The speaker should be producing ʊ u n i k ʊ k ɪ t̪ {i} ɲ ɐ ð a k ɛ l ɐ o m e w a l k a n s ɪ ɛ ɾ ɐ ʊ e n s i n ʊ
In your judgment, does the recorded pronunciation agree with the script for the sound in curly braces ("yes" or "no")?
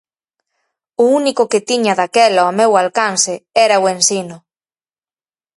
yes